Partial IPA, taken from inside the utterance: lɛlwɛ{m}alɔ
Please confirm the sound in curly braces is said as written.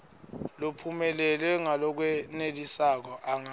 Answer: no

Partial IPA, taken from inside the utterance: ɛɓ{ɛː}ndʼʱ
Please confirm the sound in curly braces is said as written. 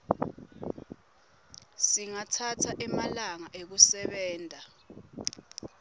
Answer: yes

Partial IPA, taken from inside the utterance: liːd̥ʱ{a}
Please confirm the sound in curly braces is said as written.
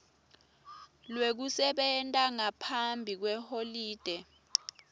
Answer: no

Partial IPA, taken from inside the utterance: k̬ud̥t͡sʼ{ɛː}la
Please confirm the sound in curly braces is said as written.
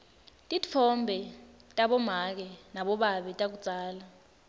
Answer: no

